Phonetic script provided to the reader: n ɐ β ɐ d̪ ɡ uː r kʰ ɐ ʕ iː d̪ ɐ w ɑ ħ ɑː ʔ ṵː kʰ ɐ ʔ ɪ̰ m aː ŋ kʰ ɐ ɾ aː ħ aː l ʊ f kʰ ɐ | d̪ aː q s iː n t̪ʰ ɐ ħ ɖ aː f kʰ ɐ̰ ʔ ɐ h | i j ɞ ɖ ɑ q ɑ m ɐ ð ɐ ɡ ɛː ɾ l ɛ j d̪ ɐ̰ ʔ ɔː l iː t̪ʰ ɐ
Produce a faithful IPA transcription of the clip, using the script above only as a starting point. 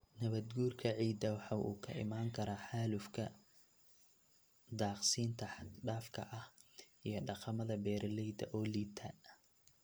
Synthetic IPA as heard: n ɐ β ɐ d̪ ɡ uː r kʰ ɐ ʕ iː d̪ ɐ w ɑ ħ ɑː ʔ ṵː kʰ ɐ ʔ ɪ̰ m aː ŋ kʰ ɐ ɾ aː ħ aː l ʊ f kʰ ɐ | d̪ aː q s iː n t̪ʰ ɐ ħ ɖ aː f kʰ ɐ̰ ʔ ɐ h | i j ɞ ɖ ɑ q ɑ m ɐ ð ɐ b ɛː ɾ l ɛ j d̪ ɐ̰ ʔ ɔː l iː t̪ʰ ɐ